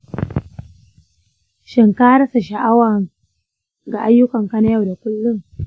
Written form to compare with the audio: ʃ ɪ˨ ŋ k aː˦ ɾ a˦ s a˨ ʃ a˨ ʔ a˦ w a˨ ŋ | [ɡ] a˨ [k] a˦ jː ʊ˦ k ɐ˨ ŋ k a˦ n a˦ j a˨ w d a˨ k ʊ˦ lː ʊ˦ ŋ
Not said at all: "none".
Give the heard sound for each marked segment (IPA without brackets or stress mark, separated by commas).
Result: ɡ, ʔ